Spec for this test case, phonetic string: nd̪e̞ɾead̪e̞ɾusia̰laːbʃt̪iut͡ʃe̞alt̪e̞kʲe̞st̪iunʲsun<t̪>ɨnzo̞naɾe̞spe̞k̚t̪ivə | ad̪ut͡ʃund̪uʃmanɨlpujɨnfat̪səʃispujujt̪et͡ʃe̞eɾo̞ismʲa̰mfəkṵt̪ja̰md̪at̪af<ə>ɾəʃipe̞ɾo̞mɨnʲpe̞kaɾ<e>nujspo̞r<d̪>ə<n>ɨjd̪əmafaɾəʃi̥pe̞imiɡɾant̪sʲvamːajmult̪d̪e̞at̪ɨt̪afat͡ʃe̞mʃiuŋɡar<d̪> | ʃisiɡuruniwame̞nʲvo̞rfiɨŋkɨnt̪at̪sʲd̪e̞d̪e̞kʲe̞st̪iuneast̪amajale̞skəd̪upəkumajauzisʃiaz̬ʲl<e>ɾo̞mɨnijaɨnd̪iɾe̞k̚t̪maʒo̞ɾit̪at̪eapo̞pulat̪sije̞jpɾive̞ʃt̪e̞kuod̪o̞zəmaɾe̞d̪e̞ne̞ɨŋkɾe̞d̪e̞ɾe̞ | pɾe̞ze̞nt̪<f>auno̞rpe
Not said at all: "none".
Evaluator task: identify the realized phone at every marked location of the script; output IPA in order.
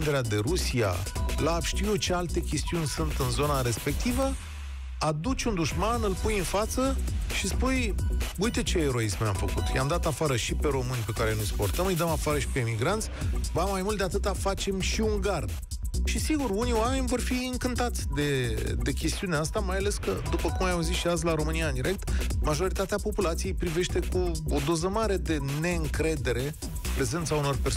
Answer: t̪, a, e, t̪, m, d̪, a, s

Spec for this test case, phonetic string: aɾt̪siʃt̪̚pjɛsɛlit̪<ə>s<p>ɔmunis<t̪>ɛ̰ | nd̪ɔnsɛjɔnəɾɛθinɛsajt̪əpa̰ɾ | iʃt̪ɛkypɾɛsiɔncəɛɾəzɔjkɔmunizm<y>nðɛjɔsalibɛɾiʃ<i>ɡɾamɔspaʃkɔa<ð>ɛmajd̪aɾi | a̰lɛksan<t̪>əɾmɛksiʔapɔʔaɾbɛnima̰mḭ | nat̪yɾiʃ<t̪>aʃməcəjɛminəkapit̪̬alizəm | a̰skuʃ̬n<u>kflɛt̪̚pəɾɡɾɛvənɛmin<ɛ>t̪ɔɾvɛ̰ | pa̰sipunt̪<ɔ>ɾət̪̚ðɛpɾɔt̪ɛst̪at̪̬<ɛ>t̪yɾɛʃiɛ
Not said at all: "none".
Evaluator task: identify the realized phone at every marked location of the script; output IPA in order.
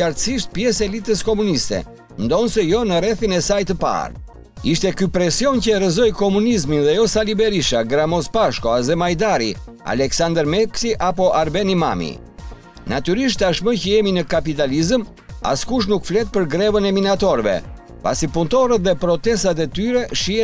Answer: ə, k, t̪, i, a, z, d̪, t̪, u, a, ɔ, ɛ

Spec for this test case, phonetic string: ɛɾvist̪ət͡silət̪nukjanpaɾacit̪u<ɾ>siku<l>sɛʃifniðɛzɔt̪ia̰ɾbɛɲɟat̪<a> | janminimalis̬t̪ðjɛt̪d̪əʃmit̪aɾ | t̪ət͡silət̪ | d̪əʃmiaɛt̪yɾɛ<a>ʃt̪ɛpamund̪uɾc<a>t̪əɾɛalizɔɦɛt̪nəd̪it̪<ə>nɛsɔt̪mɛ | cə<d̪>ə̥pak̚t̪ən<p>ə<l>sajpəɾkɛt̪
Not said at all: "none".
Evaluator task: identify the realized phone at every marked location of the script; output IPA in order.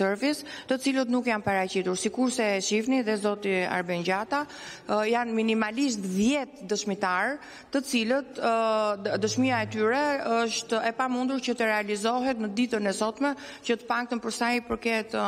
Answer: ɾ, ɾ, a, ə, ə, ə, t̪, p, ɾ

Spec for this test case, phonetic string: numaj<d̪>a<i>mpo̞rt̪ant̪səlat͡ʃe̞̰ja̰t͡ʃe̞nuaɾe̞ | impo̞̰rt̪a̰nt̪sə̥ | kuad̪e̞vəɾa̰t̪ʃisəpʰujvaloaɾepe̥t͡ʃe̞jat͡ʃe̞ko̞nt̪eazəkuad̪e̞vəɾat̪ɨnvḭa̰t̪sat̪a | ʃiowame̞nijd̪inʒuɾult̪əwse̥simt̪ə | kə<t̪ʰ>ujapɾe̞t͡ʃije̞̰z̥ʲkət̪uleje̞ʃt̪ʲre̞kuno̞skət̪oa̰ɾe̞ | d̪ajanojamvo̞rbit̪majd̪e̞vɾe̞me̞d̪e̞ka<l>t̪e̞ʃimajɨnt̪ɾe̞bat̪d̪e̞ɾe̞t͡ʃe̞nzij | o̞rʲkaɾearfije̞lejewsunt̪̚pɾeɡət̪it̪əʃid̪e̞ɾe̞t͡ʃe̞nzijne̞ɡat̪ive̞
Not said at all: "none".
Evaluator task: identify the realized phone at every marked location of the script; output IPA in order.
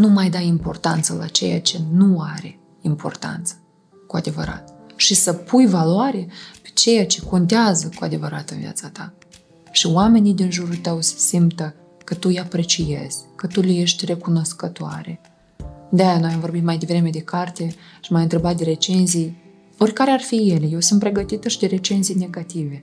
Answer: d̪, i, t̪, r

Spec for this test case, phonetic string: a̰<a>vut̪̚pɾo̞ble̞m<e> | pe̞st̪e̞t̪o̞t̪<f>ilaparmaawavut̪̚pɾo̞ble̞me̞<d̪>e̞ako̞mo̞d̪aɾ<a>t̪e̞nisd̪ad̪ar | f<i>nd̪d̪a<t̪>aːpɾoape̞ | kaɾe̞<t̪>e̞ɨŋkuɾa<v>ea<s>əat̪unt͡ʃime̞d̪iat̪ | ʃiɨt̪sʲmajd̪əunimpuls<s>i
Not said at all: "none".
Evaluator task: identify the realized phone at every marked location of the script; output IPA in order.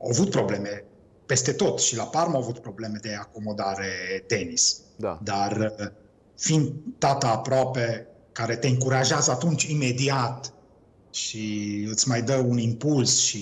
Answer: a, e, ʃ, d̪, e, i, t̪, t̪, ʒ, z, ʃ

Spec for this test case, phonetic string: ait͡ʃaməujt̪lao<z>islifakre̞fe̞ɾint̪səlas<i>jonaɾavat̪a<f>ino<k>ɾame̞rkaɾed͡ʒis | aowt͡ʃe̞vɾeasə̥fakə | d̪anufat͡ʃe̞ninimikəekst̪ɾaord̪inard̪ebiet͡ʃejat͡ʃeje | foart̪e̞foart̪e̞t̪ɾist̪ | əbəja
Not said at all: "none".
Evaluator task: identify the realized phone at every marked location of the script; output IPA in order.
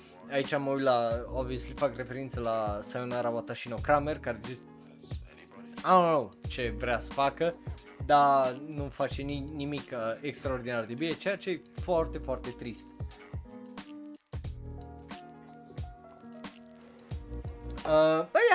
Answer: v, a, ʃ, k

